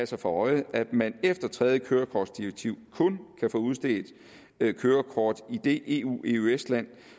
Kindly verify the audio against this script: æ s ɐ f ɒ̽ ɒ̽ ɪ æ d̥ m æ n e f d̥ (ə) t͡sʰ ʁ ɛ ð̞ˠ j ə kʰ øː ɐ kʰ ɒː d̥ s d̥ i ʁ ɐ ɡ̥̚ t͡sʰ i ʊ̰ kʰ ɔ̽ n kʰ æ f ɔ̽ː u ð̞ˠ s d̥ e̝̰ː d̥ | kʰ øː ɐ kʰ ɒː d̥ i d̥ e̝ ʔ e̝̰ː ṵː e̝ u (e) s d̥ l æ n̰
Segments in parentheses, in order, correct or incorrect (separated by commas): incorrect, correct